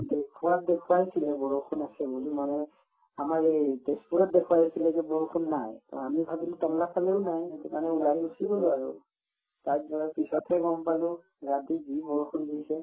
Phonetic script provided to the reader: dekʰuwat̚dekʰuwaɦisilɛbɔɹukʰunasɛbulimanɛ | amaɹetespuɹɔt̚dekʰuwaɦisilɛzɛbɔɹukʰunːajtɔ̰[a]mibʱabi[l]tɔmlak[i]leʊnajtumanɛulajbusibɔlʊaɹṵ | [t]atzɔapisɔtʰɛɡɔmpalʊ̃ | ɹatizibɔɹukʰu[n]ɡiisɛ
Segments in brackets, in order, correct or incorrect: correct, correct, incorrect, correct, correct

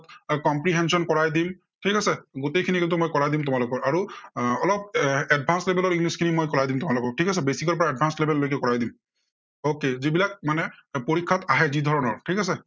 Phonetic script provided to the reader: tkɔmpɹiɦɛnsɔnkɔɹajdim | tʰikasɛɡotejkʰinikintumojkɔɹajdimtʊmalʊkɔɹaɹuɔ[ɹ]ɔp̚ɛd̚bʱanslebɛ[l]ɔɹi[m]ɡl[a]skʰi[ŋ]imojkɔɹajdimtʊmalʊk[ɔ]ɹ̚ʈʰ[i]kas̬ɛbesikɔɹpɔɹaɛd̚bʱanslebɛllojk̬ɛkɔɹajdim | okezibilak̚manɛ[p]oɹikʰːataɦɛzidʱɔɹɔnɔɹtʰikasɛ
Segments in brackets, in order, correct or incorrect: incorrect, correct, incorrect, incorrect, incorrect, correct, correct, correct

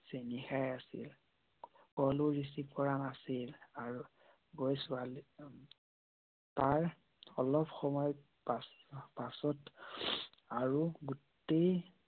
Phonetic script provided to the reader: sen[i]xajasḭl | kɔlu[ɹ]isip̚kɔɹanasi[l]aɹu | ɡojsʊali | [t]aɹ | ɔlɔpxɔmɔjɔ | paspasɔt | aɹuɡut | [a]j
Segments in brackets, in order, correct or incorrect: correct, correct, correct, correct, incorrect

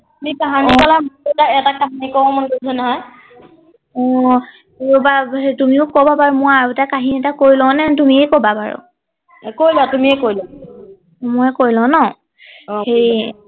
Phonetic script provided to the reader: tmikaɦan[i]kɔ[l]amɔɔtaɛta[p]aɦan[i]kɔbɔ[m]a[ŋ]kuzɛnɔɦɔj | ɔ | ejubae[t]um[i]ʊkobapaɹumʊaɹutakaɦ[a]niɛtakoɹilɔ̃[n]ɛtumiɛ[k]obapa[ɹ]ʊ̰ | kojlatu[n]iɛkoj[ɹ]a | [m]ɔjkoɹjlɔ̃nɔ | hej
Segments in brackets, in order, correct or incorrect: correct, correct, incorrect, correct, correct, incorrect, correct, correct, incorrect, correct, correct, correct, incorrect, incorrect, correct

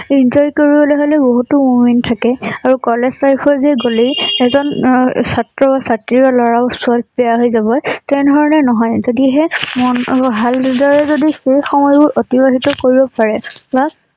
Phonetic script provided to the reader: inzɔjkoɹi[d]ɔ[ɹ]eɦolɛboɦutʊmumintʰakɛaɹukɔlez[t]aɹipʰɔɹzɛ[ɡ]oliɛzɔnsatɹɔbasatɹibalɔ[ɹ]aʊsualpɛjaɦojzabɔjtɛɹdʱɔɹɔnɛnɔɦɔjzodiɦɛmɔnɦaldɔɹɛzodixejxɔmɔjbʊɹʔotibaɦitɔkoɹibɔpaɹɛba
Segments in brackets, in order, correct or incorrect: incorrect, incorrect, correct, correct, correct

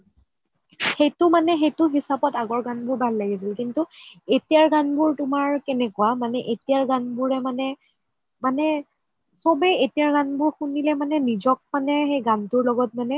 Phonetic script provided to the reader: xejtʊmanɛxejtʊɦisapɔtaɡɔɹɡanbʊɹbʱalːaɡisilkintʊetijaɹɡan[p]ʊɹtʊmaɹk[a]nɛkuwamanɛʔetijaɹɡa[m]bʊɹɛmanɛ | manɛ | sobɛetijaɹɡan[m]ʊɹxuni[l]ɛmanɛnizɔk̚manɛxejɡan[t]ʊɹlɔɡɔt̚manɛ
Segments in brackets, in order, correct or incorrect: incorrect, incorrect, incorrect, incorrect, correct, correct

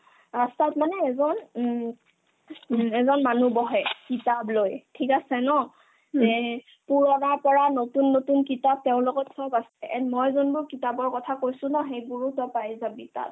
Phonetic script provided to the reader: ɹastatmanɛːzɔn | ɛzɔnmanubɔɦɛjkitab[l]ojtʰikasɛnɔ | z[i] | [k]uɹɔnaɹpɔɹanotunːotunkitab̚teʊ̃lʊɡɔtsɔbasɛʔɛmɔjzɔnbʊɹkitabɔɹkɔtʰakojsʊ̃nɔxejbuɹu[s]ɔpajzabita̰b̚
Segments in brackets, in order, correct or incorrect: correct, incorrect, incorrect, incorrect

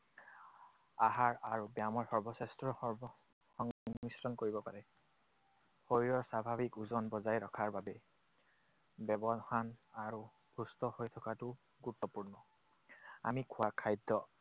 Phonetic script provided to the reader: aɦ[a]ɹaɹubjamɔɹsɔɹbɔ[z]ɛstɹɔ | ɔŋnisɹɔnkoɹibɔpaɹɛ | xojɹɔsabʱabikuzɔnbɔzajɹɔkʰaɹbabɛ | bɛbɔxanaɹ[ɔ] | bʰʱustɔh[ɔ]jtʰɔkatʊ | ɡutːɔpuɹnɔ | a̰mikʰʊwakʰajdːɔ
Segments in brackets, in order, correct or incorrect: correct, incorrect, incorrect, incorrect

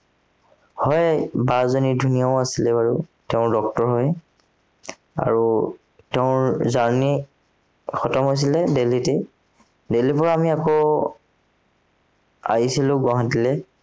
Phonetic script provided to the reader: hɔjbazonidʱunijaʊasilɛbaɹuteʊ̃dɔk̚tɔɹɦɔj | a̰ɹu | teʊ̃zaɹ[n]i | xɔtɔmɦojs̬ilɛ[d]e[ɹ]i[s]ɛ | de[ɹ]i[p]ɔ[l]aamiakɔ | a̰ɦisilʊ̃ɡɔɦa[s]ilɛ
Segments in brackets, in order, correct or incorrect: correct, correct, incorrect, incorrect, incorrect, correct, incorrect, incorrect

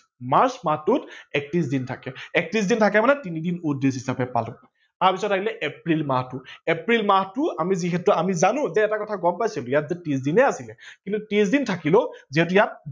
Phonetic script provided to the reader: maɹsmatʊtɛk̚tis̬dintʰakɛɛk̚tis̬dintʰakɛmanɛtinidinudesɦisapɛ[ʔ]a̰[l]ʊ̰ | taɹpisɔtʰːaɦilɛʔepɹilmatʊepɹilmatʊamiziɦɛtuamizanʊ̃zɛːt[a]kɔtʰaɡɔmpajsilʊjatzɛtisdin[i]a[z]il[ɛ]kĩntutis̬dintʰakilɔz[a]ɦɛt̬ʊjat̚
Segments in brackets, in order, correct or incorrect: incorrect, correct, correct, incorrect, incorrect, correct, incorrect

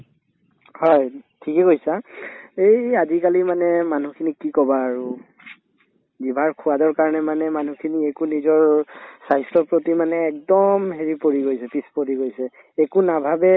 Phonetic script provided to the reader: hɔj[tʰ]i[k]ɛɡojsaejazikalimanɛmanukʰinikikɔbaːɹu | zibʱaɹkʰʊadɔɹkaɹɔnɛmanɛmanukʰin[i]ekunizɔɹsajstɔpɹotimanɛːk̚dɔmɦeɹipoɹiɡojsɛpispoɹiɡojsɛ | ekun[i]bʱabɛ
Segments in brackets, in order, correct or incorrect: correct, correct, correct, incorrect

